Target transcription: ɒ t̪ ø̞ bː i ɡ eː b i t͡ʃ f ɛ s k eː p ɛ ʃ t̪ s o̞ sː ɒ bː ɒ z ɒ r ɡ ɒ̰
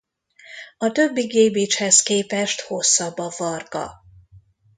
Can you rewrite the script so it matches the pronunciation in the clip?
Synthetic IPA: ɒ t̪ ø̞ bː i ɡ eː b i t͡ʃ h ɛ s k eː p ɛ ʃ t̪ h o̞ sː ɒ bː ɒ v ɒ r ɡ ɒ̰